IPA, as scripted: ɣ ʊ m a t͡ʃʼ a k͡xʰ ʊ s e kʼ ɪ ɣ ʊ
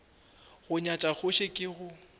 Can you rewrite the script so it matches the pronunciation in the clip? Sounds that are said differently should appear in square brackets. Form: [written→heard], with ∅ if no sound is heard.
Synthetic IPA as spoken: ɣ ʊ [m→ɲ] a t͡ʃʼ a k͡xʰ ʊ [s→ʃ] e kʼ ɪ ɣ ʊ